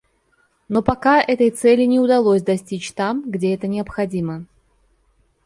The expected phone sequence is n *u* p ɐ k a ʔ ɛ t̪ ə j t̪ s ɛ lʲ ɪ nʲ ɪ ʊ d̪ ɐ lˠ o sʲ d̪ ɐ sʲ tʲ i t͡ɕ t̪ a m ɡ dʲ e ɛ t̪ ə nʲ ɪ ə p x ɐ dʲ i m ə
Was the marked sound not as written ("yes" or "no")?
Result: yes